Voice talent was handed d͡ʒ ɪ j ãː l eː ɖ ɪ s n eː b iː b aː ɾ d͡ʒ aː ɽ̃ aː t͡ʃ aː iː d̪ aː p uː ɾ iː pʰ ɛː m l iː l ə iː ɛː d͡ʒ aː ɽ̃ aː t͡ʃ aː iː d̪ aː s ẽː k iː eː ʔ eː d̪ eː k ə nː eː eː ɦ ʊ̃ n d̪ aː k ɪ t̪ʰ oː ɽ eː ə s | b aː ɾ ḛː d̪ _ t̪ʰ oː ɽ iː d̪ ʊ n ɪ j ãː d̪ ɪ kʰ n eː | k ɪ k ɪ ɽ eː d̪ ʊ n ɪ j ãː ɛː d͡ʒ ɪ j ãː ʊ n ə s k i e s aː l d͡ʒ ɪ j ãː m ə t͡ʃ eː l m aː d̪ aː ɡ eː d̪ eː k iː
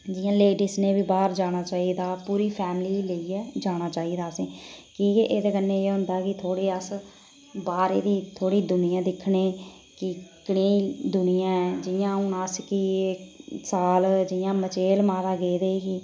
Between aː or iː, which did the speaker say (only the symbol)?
iː